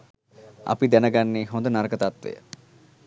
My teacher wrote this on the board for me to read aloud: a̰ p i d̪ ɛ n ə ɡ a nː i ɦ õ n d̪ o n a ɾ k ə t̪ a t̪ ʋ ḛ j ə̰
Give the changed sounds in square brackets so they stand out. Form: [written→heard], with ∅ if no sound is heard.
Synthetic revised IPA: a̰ p i d̪ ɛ n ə ɡ a nː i ɦ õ n d̪ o n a ɾ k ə t̪ a t̪ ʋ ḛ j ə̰